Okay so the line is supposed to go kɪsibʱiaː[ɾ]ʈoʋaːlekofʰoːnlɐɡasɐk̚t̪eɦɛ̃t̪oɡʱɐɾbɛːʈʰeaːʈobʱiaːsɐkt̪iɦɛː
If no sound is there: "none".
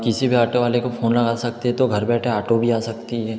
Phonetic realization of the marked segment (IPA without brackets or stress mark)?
none